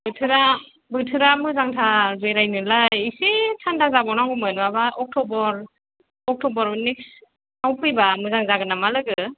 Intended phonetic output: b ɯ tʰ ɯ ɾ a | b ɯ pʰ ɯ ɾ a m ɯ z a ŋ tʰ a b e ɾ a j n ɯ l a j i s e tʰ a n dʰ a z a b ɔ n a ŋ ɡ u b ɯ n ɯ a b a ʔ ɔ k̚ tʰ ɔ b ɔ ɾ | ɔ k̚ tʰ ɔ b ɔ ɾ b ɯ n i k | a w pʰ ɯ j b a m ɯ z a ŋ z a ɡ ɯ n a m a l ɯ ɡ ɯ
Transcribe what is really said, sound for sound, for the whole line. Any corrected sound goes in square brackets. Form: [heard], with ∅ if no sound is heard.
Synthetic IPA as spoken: b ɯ tʰ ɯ ɾ a | b ɯ [tʰ] ɯ ɾ a m ɯ z a ŋ tʰ a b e ɾ a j n ɯ l a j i s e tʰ a n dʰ a z a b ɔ n a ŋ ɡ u [m] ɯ n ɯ a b a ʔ ɔ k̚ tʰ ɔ b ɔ ɾ | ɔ k̚ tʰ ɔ b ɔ ɾ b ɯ n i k | a w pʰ ɯ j b a m ɯ z a ŋ z a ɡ ɯ n a m a l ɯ ɡ ɯ